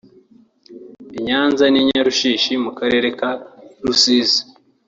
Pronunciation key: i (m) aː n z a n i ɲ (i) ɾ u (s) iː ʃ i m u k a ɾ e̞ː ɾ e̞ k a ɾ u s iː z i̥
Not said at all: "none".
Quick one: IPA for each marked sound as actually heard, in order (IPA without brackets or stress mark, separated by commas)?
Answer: ɲ, a, ʃ